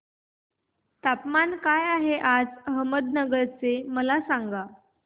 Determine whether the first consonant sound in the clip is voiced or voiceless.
voiceless